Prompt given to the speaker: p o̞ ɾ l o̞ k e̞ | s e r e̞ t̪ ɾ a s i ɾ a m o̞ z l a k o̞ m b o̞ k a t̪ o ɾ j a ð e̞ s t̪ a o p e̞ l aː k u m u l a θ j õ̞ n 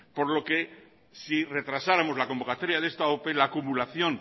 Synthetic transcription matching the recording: p o̞ ɾ l o̞ k e̞ | s i r e̞ t̪ ɾ a s a ɾ a m o̞ z l a k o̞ m b o̞ k a t̪ o ɾ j a ð e̞ s t̪ a o p e̞ l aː k u m u l a θ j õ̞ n